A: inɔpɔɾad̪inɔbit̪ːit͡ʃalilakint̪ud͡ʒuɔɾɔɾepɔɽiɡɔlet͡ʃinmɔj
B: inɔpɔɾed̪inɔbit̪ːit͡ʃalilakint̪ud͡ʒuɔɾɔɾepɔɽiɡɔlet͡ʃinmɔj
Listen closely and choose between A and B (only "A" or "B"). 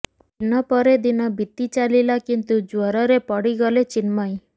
B